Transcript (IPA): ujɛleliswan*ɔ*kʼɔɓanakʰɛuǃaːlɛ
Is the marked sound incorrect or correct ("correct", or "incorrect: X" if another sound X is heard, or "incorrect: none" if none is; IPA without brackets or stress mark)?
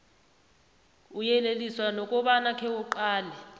correct